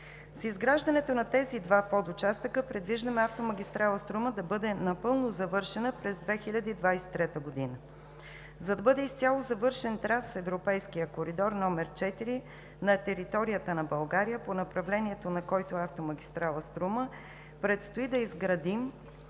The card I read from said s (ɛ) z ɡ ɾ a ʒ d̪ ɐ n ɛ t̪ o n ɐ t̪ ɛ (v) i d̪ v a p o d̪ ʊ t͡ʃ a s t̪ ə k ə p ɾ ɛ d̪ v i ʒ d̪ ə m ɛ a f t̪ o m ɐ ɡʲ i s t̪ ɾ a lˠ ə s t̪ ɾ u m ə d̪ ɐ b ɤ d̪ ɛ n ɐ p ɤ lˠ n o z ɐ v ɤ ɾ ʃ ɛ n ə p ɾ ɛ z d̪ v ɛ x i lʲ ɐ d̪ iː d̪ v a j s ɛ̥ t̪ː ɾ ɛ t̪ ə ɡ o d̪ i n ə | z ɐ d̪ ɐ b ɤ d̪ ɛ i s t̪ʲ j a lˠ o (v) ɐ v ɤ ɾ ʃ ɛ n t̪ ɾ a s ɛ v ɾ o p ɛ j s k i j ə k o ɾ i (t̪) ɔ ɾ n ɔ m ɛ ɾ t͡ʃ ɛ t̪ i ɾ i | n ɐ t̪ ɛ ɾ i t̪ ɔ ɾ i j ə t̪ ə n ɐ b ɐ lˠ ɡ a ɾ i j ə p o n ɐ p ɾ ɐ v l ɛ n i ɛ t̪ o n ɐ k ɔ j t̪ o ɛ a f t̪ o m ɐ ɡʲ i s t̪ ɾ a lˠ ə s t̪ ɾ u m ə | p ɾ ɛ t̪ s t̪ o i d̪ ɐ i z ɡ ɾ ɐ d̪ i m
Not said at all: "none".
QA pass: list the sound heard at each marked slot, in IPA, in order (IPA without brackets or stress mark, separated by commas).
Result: i, z, z, d̪